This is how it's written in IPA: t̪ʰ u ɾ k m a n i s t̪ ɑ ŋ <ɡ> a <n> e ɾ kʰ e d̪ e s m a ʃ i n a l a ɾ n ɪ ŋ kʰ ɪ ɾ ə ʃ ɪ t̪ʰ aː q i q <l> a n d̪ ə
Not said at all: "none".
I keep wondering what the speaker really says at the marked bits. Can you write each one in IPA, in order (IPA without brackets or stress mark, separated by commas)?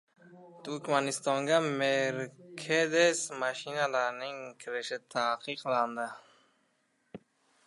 ɡ, m, l